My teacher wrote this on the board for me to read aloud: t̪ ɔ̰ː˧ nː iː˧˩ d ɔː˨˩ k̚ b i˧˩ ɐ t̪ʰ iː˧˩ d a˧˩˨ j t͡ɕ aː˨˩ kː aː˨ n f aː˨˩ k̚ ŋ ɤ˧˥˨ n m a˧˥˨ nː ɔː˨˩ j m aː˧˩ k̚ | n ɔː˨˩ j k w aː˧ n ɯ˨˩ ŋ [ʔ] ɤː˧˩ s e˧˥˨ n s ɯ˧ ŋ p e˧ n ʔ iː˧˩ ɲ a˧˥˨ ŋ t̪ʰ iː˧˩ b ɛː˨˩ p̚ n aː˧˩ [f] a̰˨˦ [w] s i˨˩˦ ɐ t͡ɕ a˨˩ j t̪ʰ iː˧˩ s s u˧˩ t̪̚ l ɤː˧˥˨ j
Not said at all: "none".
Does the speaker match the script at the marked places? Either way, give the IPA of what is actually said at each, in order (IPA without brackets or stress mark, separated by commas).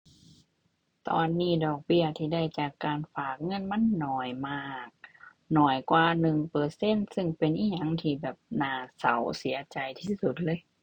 p, s, w